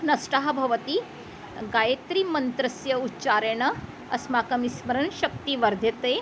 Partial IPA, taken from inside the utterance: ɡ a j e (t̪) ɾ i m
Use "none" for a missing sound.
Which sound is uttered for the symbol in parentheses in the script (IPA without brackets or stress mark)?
t̪